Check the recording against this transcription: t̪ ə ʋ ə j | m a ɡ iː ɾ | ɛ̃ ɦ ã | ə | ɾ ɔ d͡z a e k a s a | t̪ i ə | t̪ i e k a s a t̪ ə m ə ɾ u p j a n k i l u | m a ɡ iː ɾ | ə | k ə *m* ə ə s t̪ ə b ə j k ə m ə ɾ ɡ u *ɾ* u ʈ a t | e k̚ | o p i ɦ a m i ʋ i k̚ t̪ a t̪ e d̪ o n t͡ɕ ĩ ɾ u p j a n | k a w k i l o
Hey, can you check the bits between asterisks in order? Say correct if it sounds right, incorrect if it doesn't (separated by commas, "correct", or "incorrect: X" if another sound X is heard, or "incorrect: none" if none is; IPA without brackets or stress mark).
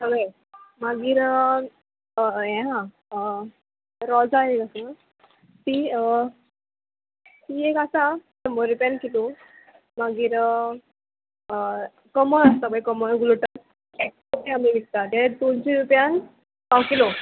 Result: correct, incorrect: l